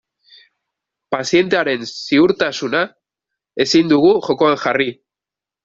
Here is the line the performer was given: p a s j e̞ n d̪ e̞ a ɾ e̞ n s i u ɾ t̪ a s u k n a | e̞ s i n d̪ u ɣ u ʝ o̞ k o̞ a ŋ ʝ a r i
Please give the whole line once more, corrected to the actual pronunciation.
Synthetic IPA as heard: p a s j e̞ n t̪ e̞ a ɾ e̞ n s i u ɾ t̪ a s u n a | e̞ s i n d̪ u ɣ u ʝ o̞ k o̞ a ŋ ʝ a r i